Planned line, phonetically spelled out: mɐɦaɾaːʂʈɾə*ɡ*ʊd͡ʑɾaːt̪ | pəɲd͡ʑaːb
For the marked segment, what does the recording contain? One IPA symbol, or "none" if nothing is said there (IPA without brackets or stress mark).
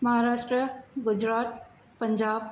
ɡ